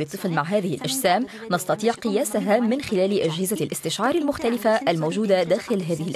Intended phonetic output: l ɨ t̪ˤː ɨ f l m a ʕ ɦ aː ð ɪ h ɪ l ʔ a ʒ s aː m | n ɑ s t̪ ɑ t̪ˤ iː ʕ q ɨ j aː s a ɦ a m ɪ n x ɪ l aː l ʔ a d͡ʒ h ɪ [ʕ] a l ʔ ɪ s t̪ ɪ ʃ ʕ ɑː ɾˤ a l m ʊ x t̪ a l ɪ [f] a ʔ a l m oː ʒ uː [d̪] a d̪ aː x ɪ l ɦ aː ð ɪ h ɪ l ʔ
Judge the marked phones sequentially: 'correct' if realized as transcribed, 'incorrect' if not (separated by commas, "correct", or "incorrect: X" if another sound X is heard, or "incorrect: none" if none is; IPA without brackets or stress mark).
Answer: incorrect: z, correct, correct